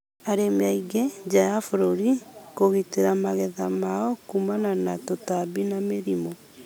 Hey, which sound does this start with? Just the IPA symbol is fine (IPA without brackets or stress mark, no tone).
a